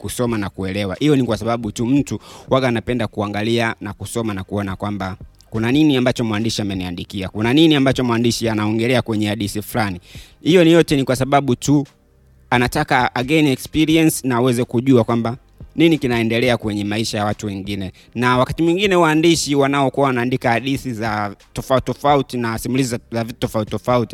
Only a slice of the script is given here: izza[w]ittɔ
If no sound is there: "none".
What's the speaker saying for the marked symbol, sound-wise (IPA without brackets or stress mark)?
v